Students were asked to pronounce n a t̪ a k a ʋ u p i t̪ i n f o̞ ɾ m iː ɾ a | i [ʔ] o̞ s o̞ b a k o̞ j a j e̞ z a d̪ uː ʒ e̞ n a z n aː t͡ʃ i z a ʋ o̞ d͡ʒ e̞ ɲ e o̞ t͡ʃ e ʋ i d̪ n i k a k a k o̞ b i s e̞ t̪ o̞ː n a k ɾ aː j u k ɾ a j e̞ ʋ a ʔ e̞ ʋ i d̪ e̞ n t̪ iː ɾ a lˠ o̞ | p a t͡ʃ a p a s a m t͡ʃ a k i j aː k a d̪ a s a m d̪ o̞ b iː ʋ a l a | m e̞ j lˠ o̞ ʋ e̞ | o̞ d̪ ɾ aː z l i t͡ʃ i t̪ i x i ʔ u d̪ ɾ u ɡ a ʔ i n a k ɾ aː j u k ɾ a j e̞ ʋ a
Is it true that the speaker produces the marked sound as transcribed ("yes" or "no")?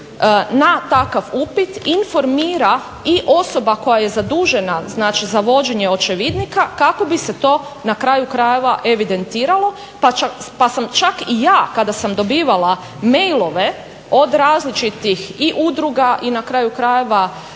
yes